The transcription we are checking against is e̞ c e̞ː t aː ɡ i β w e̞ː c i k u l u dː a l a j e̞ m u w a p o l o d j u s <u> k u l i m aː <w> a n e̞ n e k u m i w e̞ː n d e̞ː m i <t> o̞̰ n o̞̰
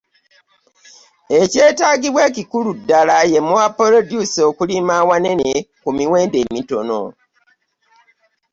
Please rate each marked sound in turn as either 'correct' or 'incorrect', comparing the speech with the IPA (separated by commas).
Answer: incorrect, correct, correct